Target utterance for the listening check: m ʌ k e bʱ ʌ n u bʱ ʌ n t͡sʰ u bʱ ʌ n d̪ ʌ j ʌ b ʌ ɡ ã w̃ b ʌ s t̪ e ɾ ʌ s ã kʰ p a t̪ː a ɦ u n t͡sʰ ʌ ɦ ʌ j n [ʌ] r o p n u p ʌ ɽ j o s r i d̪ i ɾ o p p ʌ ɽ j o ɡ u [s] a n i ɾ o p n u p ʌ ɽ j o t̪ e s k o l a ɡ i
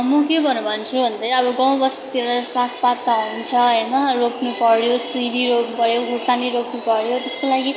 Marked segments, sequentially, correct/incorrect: correct, correct

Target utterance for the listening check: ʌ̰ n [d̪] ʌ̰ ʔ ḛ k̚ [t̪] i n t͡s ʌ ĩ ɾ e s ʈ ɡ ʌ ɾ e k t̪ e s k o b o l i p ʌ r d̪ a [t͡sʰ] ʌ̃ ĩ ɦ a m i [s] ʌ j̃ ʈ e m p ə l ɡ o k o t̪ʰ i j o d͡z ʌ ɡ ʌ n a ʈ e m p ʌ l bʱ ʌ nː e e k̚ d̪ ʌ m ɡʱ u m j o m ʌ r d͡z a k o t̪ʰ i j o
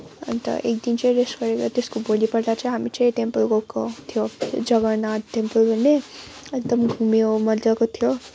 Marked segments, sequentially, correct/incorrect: incorrect: t̪, incorrect: d̪, incorrect: t͡s, incorrect: t͡s

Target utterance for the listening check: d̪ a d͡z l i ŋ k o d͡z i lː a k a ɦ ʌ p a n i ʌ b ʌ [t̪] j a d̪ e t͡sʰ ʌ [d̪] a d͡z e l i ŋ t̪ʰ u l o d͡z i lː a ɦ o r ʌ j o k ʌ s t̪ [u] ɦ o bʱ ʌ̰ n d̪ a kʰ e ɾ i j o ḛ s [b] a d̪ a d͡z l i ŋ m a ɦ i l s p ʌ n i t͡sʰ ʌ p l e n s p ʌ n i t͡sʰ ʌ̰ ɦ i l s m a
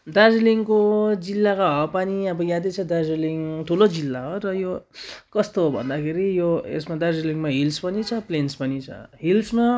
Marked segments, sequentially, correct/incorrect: incorrect: none, correct, incorrect: o, incorrect: m

